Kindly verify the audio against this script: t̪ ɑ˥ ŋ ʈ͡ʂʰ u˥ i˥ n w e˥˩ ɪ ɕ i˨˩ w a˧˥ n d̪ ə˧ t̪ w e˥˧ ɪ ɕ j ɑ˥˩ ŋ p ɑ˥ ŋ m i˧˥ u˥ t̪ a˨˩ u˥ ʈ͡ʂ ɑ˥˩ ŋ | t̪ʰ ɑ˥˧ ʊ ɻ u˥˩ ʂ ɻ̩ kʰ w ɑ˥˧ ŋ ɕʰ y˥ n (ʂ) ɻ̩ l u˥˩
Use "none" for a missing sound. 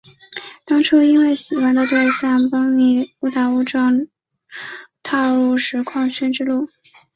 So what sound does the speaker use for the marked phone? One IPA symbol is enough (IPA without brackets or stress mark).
ʈ͡ʂ